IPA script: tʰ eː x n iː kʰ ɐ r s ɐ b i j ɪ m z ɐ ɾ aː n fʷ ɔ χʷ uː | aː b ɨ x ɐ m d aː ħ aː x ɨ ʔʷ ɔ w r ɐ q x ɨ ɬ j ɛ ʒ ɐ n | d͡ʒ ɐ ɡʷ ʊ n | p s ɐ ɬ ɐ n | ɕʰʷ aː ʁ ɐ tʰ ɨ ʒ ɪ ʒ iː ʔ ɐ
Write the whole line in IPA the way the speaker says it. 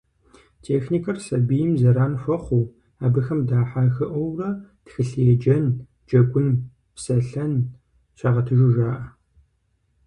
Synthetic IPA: tʰ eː x n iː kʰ ɐ r s ɐ b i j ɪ m z ɐ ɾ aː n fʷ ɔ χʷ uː | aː b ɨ x ɐ m d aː ħ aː x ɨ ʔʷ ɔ w r ɐ t x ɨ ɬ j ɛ d͡ʒ ɐ n | d͡ʒ ɐ ɡʷ ʊ n | p s ɐ ɬ ɐ n | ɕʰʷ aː ʁ ɐ tʰ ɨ ʒ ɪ ʒ aː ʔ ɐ